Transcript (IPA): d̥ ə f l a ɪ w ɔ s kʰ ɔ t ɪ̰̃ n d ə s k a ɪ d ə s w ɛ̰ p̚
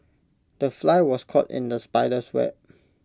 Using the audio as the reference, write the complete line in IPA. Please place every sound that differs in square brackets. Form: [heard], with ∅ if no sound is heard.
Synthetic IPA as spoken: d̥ ə f l a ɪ w ɔ s kʰ ɔ t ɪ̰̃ n d ə s [p] a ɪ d ə s w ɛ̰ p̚